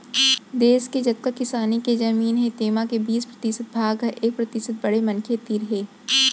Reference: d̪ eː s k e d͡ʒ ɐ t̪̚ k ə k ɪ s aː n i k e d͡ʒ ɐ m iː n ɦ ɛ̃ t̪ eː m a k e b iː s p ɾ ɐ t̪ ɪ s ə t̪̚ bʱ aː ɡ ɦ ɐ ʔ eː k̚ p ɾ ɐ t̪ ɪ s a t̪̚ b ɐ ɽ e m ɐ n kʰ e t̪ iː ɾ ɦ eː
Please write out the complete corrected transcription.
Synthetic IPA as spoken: d̪ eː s k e d͡ʒ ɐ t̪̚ k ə k ɪ s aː n i k e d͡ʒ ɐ m iː n ɦ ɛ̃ t̪ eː m a k e b iː s p ɾ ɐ t̪ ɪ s ə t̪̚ bʱ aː ɡ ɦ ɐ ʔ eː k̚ p ɾ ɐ t̪ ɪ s ə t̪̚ b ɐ ɽ e m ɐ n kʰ e t̪ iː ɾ ɦ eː